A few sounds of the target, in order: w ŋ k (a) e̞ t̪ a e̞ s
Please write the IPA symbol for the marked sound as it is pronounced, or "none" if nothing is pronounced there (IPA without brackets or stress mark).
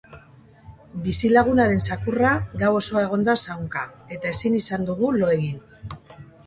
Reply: a